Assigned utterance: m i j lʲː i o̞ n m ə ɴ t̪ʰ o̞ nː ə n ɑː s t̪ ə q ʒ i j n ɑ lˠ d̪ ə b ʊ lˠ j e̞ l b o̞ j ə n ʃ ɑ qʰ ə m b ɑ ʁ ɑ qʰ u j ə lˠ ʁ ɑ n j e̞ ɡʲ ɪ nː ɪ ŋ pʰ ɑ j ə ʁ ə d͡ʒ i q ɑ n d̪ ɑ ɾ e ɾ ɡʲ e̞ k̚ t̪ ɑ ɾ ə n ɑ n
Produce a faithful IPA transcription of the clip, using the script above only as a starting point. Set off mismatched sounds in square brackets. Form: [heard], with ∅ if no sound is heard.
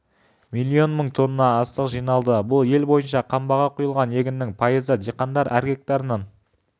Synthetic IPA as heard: m i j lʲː i o̞ n m ə ɴ t̪ʰ o̞ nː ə n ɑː s t̪ ə q ʒ i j n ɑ lˠ d̪ ə b ʊ lˠ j e̞ l b o̞ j ə n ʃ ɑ qʰ [ɑ] m b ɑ ʁ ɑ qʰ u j ə lˠ ʁ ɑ n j e̞ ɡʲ ɪ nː ɪ ŋ pʰ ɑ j ə [z] ə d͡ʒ i q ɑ n d̪ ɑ ɾ [æ] ɾ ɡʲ e̞ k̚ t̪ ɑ ɾ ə n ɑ n